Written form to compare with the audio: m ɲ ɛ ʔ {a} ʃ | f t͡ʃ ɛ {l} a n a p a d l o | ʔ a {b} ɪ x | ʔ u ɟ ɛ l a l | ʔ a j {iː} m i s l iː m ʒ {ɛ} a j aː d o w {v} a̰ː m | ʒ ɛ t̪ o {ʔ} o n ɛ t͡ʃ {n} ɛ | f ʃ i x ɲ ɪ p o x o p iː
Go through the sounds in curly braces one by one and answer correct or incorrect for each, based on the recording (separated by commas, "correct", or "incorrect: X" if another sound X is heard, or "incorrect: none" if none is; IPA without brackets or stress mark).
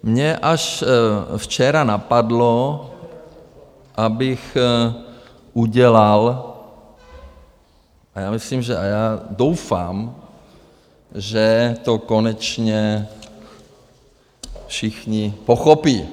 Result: correct, incorrect: ɾ, correct, incorrect: aː, correct, incorrect: f, incorrect: k, incorrect: ɲ